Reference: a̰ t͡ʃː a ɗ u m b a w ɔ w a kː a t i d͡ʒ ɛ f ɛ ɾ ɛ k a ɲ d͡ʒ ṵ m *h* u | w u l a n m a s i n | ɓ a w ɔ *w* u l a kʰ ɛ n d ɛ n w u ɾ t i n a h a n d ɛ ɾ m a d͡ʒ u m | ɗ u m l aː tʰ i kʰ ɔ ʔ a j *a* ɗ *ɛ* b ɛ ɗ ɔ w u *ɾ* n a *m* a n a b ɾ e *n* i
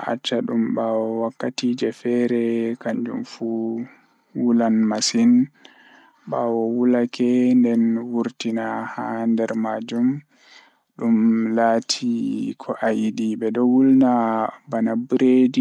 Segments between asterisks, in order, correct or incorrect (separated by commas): incorrect, correct, incorrect, incorrect, incorrect, incorrect, incorrect